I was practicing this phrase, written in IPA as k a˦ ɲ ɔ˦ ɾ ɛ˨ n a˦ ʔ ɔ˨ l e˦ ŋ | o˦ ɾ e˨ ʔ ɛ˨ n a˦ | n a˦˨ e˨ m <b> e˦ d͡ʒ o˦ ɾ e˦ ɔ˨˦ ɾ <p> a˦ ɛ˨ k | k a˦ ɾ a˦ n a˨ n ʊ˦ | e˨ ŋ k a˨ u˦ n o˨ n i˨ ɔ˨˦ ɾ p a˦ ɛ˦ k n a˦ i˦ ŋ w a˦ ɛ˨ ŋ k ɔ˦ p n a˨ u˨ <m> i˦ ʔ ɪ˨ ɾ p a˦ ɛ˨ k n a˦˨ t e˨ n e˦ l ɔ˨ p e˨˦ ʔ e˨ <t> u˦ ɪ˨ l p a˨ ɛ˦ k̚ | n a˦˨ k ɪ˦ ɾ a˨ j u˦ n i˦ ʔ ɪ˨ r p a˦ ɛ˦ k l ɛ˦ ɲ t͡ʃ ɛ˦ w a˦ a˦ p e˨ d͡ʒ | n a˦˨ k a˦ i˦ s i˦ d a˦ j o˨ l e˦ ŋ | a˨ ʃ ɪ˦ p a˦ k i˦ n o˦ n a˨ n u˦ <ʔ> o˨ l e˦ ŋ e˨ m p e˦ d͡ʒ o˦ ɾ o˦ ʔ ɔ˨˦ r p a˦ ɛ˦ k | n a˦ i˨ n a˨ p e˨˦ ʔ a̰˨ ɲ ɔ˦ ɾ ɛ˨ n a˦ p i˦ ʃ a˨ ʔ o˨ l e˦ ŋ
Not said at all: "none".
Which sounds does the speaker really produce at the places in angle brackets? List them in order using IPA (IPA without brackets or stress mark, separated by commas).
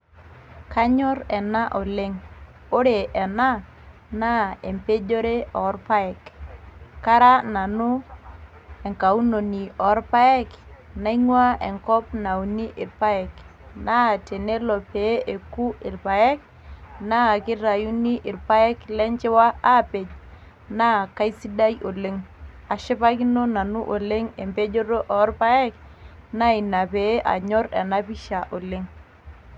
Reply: p, p, n, k, ʔ